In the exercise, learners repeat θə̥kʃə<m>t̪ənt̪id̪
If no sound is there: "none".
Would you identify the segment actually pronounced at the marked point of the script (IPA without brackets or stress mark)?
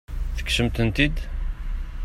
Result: m